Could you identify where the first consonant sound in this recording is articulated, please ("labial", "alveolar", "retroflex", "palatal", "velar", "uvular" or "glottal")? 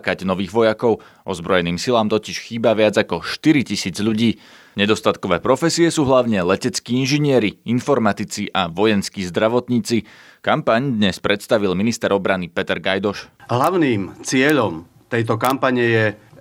velar